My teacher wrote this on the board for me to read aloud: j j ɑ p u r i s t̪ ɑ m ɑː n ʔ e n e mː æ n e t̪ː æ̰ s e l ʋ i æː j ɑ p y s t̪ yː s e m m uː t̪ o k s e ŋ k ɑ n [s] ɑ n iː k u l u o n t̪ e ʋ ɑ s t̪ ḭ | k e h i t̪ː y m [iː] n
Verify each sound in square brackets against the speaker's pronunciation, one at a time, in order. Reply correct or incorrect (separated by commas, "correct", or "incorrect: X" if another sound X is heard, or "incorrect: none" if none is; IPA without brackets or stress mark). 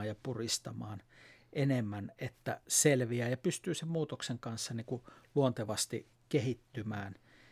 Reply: incorrect: sː, incorrect: æː